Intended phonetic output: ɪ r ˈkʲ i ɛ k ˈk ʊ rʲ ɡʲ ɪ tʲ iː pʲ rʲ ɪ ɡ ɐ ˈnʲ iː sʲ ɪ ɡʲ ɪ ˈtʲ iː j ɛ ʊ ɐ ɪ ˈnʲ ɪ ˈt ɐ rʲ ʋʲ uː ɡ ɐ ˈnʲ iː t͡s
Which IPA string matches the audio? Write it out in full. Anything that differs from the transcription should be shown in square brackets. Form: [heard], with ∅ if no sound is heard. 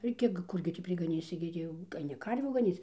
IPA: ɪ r ˈkʲ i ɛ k ˈk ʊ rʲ ɡʲ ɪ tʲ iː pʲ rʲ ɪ ɡ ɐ ˈnʲ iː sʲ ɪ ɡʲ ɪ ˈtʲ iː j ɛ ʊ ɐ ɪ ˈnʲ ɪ [ˈk] ɐ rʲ ʋʲ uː ɡ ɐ ˈnʲ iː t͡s